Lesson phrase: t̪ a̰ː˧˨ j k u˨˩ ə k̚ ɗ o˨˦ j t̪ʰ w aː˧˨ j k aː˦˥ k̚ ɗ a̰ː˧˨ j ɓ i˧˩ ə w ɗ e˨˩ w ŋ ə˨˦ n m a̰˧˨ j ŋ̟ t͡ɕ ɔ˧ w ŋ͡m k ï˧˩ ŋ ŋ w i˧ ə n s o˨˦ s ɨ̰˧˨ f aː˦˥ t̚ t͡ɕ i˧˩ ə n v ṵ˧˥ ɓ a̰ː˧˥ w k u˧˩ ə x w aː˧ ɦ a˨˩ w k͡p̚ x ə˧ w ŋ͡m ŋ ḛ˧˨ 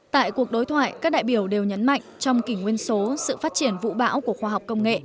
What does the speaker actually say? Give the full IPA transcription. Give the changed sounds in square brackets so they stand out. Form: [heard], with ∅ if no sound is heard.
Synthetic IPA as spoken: t̪ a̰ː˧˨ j k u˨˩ ə k̚ ɗ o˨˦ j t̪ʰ w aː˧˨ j k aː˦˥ k̚ ɗ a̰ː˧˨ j ɓ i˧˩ ə w ɗ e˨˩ w [ɲ] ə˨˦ n m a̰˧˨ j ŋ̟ t͡ɕ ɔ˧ w ŋ͡m k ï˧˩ ŋ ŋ w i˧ ə n s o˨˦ s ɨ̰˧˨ f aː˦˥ t̚ t͡ɕ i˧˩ ə n v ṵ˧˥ ɓ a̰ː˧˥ w k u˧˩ ə x w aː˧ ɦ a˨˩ w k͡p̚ [k] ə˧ w ŋ͡m ŋ ḛ˧˨

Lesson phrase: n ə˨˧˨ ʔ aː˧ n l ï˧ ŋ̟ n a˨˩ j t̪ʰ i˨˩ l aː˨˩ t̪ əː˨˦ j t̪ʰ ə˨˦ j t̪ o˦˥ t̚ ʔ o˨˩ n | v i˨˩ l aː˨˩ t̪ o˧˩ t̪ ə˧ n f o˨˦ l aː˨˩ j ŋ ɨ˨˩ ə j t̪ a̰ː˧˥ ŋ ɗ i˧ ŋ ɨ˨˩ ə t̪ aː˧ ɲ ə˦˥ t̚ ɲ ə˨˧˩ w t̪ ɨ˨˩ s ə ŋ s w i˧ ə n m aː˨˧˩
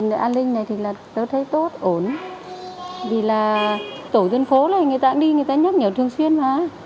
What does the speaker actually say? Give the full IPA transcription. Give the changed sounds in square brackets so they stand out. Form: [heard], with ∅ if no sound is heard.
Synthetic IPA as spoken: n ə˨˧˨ ʔ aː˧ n l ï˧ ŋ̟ n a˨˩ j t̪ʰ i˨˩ l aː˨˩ t̪ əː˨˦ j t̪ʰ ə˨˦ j t̪ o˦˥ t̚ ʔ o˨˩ n | v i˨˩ l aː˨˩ t̪ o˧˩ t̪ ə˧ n f o˨˦ l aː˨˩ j ŋ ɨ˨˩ ə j t̪ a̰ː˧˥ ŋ ɗ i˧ ŋ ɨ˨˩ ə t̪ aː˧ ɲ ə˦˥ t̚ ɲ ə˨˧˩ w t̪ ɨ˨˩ [∅] ə ŋ s w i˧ ə n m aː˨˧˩

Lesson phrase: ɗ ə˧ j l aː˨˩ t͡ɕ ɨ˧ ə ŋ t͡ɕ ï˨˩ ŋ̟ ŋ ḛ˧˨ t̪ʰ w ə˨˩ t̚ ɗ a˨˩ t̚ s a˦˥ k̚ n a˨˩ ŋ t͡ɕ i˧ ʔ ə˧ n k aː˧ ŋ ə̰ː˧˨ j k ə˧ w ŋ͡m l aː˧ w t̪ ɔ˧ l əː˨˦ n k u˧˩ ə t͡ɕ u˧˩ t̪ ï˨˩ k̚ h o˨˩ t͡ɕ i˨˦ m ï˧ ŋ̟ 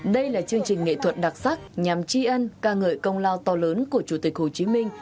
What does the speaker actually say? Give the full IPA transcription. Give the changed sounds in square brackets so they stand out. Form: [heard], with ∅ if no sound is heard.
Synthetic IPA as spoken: ɗ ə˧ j l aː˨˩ t͡ɕ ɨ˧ ə ŋ t͡ɕ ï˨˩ ŋ̟ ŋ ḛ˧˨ t̪ʰ w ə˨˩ t̚ ɗ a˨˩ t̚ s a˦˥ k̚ [ɲ] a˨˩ [m] t͡ɕ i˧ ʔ ə˧ n k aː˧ ŋ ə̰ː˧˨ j k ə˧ w ŋ͡m l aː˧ w t̪ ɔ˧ l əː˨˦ n k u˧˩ ə t͡ɕ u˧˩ t̪ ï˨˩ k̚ h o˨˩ t͡ɕ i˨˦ m ï˧ ŋ̟

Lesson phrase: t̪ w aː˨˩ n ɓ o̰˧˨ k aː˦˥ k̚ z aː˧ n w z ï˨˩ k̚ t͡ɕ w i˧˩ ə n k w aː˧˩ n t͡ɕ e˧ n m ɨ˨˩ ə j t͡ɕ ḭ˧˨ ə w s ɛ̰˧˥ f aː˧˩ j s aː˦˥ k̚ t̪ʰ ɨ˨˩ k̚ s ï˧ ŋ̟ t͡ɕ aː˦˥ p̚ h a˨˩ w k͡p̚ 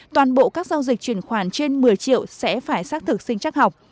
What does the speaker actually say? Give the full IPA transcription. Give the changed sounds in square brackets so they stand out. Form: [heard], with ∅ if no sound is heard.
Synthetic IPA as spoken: t̪ w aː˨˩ n ɓ o̰˧˨ k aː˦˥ k̚ z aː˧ [∅] w z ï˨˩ k̚ t͡ɕ w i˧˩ ə n [x] w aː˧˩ n t͡ɕ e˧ n m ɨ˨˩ ə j t͡ɕ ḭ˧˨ ə w s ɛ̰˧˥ f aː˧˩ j s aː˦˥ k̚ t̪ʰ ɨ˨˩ k̚ s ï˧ ŋ̟ t͡ɕ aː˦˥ [k̚] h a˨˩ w k͡p̚

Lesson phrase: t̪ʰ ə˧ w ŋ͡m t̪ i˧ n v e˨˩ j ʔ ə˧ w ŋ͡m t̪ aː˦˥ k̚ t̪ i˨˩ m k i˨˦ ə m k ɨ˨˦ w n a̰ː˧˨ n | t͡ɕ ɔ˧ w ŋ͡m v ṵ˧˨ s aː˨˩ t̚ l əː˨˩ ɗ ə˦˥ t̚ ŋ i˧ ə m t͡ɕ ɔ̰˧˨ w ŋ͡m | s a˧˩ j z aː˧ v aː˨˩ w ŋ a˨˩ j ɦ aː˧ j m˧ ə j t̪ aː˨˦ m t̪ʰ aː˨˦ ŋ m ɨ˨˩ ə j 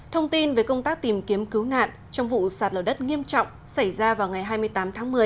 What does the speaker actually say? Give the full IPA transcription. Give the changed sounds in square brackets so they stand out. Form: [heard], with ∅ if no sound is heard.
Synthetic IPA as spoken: t̪ʰ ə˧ w ŋ͡m t̪ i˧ n v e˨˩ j [k] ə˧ w ŋ͡m t̪ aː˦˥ k̚ t̪ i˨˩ m k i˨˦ ə m k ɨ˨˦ w n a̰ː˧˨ n | t͡ɕ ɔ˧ w ŋ͡m v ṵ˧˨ s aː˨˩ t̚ l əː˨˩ ɗ ə˦˥ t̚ ŋ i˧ ə m t͡ɕ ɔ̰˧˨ w ŋ͡m | s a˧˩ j z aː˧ v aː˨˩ w ŋ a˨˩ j ɦ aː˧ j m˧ ə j t̪ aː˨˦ m t̪ʰ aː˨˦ ŋ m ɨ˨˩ ə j

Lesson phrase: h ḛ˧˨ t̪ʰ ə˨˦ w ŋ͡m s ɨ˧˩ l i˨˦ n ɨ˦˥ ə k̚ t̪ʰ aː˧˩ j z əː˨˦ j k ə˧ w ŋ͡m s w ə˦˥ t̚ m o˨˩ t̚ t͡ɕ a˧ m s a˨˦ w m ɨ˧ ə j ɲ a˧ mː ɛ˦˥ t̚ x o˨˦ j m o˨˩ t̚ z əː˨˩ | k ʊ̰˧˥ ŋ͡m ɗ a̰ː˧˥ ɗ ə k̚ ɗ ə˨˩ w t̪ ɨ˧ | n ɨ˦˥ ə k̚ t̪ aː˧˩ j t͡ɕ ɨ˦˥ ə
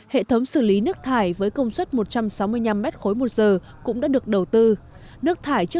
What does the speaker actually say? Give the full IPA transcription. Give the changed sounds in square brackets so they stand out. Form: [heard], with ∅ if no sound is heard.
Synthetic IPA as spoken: h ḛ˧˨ t̪ʰ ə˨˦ w ŋ͡m s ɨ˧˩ l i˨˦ n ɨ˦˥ ə k̚ t̪ʰ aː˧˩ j [v] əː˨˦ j k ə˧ w ŋ͡m s w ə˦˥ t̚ m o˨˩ t̚ t͡ɕ a˧ m s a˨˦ w m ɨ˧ ə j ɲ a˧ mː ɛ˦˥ t̚ x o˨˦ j m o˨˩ t̚ z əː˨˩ | k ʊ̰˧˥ ŋ͡m ɗ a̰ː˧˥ ɗ ə k̚ ɗ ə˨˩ w t̪ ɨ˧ | n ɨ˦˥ ə k̚ [t̪ʰ] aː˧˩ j t͡ɕ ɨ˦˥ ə

